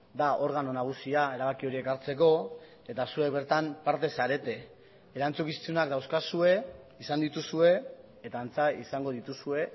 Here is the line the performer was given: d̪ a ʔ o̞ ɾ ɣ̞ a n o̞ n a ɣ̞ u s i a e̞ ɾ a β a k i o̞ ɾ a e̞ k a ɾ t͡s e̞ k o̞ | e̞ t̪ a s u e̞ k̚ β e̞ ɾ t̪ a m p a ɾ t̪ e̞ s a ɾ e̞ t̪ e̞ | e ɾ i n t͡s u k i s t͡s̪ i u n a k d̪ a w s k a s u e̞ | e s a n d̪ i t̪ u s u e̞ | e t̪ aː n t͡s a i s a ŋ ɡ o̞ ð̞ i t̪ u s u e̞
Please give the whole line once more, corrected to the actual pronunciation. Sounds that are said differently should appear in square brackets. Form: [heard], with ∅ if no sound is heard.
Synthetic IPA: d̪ a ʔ o̞ ɾ ɣ̞ a n o̞ n a ɣ̞ u s i a e̞ ɾ a β a k i o̞ ɾ [i] e̞ k a ɾ t͡s e̞ k o̞ | e̞ t̪ a s u e̞ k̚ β e̞ ɾ t̪ a m p a ɾ t̪ e̞ s a ɾ e̞ t̪ e̞ | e ɾ [a] n t͡s u k i s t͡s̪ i u n a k d̪ a w s k a s u e̞ | [i] s a n d̪ i t̪ u s u e̞ | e t̪ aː n t͡s a i s a ŋ ɡ o̞ ð̞ i t̪ u s u e̞